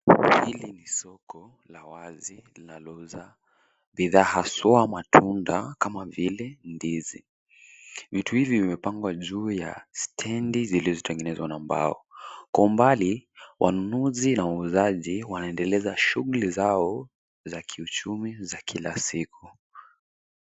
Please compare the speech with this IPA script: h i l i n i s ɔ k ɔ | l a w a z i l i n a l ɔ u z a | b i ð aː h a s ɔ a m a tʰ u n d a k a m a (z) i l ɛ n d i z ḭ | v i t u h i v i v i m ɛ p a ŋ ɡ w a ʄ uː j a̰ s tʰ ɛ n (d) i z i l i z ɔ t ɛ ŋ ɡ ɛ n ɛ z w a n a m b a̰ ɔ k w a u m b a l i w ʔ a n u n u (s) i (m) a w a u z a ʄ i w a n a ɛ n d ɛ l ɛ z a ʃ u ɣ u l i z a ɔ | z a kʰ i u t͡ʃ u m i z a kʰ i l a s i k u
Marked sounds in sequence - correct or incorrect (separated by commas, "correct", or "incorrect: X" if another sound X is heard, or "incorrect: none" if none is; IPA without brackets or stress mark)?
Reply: incorrect: v, correct, incorrect: z, incorrect: n